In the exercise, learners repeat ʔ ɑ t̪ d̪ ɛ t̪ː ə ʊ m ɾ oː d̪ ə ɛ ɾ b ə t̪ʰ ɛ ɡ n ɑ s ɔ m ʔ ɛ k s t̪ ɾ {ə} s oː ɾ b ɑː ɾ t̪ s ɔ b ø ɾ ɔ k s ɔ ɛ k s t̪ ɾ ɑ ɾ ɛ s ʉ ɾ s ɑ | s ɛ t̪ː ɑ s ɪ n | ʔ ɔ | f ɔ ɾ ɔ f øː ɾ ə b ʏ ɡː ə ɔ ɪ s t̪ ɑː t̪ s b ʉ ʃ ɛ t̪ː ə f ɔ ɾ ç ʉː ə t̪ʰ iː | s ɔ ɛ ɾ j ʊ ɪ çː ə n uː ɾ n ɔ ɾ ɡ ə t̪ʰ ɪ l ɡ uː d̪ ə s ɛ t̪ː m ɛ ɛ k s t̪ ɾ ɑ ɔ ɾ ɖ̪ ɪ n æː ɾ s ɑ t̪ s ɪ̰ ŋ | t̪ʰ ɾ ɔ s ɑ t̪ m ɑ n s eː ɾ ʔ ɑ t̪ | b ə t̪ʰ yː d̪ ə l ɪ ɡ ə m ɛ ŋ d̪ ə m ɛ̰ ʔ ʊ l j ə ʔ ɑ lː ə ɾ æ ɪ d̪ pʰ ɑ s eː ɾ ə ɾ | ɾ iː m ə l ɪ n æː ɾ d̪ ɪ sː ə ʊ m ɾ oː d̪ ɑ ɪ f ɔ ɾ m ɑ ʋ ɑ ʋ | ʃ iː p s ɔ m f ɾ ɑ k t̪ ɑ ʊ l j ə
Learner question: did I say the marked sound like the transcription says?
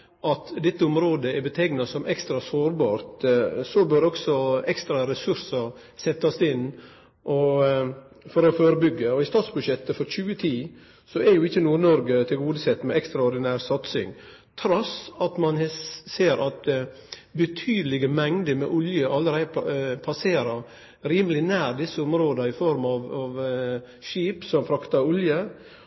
no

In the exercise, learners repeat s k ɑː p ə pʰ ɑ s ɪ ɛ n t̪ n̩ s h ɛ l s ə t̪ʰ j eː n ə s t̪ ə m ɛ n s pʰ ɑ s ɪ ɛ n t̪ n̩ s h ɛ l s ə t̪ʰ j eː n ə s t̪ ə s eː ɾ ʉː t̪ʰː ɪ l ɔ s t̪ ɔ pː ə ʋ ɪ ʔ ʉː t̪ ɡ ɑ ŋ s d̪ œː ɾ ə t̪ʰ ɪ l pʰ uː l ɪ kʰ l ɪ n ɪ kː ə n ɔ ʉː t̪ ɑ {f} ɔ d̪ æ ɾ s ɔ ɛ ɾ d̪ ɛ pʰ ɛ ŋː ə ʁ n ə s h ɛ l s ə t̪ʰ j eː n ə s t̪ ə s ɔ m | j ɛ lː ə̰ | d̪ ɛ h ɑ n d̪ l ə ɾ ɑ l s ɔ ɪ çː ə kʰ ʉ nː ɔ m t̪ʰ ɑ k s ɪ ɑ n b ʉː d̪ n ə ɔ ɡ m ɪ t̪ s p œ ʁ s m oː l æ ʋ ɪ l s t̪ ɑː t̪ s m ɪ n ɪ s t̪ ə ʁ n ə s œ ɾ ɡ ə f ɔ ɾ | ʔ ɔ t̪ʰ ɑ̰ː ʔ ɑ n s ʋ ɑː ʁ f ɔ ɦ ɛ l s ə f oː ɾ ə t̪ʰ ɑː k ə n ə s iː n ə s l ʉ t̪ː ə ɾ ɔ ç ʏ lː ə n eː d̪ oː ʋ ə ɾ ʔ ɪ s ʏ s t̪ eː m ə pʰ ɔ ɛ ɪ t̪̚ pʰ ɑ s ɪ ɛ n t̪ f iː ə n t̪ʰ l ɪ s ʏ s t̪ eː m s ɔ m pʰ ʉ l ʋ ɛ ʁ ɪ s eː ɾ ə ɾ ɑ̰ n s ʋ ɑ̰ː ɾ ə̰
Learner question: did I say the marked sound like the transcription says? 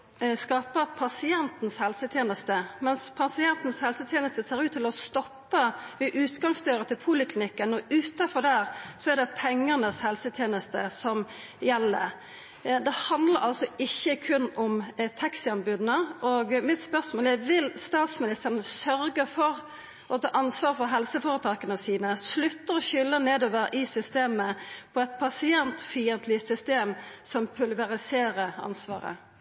yes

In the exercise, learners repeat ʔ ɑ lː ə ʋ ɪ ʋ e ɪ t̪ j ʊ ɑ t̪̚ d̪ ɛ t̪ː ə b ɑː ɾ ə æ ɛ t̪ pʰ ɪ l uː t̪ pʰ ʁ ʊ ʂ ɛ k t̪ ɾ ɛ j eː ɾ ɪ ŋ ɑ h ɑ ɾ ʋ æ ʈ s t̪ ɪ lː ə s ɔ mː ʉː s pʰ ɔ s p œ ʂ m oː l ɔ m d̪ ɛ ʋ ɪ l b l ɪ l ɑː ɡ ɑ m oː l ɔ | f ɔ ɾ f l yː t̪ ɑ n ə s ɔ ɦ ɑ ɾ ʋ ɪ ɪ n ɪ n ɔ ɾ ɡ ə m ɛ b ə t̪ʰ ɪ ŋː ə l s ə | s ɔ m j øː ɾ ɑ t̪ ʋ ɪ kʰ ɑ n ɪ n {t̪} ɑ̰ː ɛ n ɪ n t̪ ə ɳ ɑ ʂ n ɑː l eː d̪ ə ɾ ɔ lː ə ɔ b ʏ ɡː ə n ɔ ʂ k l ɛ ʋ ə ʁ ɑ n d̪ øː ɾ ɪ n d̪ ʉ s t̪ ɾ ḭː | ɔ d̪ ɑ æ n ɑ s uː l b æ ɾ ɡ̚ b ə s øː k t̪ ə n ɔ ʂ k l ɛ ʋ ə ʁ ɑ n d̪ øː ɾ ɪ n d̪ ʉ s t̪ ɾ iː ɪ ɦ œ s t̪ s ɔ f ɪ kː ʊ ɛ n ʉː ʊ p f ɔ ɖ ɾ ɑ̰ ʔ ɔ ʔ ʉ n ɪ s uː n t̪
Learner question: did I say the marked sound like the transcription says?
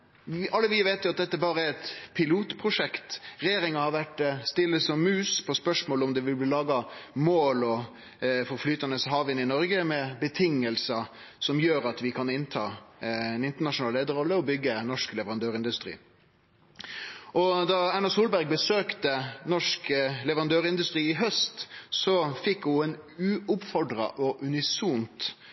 no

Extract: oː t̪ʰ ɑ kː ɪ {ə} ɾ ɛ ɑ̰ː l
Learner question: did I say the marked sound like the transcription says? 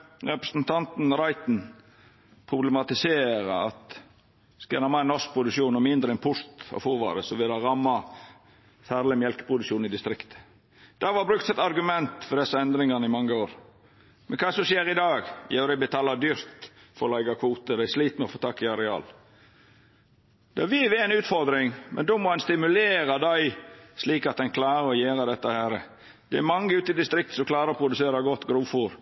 no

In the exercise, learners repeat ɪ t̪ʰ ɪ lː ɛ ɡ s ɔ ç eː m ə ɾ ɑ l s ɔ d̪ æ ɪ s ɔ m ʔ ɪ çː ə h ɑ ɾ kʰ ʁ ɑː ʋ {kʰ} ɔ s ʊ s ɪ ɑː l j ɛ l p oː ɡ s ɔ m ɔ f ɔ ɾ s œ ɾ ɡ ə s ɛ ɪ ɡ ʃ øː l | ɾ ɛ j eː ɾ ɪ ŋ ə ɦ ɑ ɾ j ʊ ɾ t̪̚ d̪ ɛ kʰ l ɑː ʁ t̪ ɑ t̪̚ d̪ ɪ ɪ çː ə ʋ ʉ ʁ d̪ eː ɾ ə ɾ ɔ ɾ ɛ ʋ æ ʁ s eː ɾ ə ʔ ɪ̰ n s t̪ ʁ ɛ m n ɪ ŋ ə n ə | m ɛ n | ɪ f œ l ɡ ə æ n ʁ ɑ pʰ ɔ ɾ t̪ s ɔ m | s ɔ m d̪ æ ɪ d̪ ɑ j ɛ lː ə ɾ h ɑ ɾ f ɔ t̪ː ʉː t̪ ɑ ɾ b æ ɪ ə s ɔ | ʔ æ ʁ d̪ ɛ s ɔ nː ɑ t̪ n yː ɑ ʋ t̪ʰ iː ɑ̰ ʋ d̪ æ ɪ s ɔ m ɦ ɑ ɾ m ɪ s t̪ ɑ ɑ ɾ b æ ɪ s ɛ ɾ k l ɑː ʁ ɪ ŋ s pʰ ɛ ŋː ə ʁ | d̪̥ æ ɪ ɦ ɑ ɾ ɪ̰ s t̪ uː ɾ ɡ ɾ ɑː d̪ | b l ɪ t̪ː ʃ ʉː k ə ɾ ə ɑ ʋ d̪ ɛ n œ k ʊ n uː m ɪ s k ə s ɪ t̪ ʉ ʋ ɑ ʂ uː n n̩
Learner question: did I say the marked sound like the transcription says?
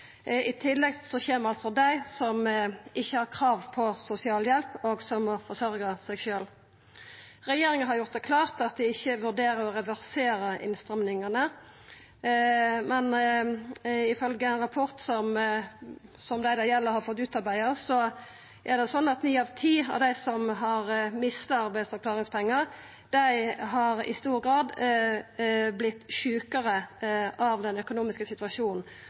no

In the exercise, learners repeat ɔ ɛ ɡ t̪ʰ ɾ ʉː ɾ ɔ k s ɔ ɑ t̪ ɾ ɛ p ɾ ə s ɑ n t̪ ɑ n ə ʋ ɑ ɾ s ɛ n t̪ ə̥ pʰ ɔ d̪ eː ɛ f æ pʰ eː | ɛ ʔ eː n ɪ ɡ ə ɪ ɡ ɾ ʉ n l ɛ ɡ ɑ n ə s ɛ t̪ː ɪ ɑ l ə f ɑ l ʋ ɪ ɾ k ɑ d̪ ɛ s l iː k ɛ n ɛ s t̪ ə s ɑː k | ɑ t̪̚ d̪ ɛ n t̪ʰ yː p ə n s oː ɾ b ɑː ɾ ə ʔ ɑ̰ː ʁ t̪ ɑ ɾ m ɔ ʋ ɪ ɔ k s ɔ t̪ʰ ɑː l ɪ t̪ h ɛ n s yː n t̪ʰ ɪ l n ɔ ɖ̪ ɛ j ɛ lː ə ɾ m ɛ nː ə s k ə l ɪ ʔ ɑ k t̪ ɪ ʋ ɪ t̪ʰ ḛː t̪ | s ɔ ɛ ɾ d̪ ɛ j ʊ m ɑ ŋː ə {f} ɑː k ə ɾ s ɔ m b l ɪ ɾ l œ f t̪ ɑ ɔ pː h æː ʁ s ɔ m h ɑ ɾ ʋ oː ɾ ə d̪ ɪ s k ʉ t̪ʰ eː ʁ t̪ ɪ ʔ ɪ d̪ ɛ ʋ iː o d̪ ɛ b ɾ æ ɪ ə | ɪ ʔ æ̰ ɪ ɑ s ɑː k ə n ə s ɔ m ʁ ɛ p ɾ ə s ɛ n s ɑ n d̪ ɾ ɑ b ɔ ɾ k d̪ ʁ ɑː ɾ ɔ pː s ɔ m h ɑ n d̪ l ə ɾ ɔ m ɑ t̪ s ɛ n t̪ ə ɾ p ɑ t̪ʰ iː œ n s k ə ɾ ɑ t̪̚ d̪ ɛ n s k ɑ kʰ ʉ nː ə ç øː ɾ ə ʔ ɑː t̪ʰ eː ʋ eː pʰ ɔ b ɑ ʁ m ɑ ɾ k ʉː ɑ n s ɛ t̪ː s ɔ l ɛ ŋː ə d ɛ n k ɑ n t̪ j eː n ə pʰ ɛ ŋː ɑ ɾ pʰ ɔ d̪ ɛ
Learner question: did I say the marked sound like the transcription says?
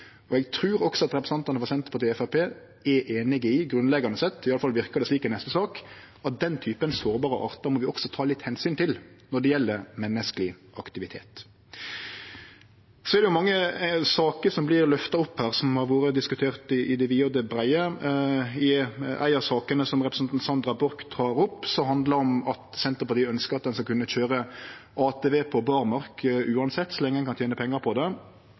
no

